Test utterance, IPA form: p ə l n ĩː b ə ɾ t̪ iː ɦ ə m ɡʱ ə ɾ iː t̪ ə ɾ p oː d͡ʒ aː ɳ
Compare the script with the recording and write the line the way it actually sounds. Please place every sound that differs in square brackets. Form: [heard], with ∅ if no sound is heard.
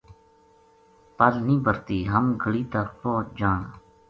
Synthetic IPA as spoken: p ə l n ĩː b ə ɾ t̪ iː ɦ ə m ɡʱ ə [ɽ] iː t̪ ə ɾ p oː d͡ʒ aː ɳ